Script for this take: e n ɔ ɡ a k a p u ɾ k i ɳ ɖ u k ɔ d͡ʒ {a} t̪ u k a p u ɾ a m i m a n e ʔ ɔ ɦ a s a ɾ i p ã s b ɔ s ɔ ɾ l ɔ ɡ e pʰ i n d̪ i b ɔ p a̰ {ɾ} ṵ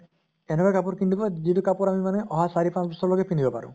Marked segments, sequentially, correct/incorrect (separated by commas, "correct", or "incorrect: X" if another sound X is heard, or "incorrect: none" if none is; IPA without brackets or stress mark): incorrect: i, correct